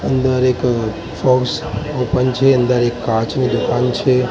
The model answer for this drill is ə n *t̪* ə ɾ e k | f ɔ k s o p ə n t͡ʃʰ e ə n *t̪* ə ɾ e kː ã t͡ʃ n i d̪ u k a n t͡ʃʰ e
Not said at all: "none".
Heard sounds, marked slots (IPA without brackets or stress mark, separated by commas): d̪, d̪